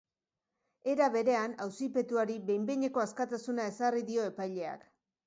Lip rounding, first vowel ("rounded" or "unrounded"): unrounded